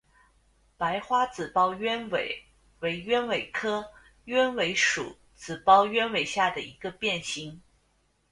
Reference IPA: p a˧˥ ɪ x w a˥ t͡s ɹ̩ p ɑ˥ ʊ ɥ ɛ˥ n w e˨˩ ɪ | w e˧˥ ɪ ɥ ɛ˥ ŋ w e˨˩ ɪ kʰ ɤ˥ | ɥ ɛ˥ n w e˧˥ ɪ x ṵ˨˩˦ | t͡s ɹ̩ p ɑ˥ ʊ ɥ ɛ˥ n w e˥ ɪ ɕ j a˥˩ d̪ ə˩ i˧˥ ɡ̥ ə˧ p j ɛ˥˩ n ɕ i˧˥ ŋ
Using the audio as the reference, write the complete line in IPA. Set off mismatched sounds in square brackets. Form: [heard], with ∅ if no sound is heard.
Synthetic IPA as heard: p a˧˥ ɪ x w a˥ t͡s ɹ̩ p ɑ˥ ʊ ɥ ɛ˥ n w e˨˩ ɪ | w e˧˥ ɪ ɥ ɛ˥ [n] w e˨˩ ɪ kʰ ɤ˥ | ɥ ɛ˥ n w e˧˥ ɪ [ʂ] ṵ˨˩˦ | t͡s ɹ̩ p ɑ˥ ʊ ɥ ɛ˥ n w [e˨˩] ɪ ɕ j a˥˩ d̪ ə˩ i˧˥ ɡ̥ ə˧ p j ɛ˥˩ n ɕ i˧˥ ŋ

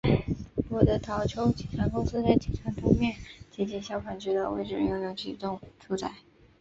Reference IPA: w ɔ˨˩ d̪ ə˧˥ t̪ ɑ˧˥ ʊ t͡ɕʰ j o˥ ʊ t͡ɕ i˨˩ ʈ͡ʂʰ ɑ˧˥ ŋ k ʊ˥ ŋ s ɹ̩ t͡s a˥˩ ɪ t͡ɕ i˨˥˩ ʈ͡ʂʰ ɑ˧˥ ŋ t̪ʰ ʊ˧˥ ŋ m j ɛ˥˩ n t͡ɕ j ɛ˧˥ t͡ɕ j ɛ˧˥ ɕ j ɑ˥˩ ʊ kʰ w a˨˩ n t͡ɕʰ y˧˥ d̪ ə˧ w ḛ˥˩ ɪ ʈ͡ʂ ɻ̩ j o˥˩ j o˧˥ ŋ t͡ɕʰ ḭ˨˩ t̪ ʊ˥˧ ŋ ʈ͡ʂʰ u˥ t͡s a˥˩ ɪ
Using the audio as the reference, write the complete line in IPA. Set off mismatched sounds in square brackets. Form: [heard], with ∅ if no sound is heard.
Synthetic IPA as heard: w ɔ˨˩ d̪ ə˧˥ [t̪ʰ] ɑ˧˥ ʊ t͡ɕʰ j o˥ ʊ t͡ɕ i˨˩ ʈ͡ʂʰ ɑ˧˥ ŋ k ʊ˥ ŋ s ɹ̩ t͡s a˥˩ ɪ t͡ɕ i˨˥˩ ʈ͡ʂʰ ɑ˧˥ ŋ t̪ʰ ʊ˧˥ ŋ m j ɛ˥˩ n t͡ɕ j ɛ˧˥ t͡ɕ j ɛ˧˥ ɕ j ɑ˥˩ ʊ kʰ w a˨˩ n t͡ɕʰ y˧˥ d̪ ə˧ w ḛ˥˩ ɪ ʈ͡ʂ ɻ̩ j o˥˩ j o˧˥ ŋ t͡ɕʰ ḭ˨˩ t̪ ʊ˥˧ ŋ ʈ͡ʂʰ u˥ t͡s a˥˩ ɪ

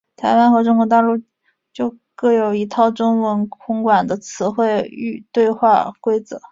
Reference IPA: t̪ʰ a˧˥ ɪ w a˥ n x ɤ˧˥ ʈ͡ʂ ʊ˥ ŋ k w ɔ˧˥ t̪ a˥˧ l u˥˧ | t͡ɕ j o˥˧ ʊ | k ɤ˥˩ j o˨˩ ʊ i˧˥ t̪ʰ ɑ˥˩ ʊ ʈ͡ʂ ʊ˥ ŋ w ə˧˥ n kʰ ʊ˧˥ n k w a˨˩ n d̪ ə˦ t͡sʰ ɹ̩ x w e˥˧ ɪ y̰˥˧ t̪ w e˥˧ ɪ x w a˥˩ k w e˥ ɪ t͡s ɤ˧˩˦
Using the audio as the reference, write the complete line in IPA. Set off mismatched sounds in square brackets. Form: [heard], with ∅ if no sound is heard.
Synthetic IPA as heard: t̪ʰ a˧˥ ɪ w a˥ n x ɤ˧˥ ʈ͡ʂ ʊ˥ ŋ k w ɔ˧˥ t̪ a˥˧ l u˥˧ | t͡ɕ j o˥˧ ʊ | k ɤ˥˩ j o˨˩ ʊ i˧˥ t̪ʰ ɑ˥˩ ʊ ʈ͡ʂ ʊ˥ ŋ w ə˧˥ n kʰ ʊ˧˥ [ŋ] k w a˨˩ n d̪ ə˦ t͡sʰ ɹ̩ x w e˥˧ ɪ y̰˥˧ t̪ w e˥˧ ɪ x w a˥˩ k w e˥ ɪ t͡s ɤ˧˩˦

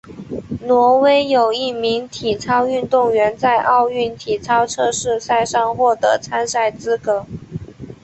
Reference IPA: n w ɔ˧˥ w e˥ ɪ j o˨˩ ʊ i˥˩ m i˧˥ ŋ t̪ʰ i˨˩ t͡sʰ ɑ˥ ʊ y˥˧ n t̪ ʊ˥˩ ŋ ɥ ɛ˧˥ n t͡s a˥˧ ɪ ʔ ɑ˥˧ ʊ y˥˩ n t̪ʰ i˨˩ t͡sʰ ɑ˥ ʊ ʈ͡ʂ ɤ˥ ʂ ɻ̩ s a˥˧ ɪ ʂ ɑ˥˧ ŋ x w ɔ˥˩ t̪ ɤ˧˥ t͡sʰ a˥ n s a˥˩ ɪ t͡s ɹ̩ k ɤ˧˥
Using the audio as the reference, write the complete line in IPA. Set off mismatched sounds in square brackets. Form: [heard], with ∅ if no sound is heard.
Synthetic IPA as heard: n w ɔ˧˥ w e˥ ɪ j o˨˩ ʊ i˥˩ m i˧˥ ŋ t̪ʰ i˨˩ t͡sʰ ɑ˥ ʊ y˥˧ n t̪ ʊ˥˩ ŋ ɥ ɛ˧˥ n t͡s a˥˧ ɪ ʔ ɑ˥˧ ʊ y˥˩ n t̪ʰ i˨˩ t͡sʰ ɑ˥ ʊ [ʈ͡ʂʰ] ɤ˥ ʂ ɻ̩ s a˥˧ ɪ ʂ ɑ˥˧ ŋ x w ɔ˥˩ t̪ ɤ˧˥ t͡sʰ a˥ n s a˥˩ ɪ t͡s ɹ̩ k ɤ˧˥

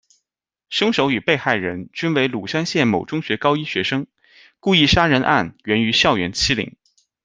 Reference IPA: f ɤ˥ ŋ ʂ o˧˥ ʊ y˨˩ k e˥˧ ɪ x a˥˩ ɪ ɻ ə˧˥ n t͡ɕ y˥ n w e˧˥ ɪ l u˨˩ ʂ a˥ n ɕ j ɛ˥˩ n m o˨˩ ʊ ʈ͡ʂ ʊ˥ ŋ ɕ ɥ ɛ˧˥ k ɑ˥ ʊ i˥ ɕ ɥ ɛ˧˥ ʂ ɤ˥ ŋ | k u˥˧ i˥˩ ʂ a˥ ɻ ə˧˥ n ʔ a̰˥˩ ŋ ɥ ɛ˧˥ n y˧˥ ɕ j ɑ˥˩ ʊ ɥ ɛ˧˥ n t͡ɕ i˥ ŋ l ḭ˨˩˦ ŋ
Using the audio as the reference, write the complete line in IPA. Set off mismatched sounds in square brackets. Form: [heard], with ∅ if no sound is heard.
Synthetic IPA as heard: [ʂ] ɤ˥ ŋ ʂ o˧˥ ʊ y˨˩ [p] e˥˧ ɪ x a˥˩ ɪ ɻ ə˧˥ n t͡ɕ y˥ n w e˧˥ ɪ l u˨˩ ʂ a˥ n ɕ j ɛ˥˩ n m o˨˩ ʊ ʈ͡ʂ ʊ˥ ŋ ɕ ɥ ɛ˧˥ k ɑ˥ ʊ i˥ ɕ ɥ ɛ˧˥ ʂ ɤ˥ ŋ | k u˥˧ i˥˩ ʂ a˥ ɻ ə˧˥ n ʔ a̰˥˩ [n] ɥ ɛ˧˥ n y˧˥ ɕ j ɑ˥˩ ʊ ɥ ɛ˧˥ n [t͡ɕʰ] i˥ [∅] l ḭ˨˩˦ ŋ

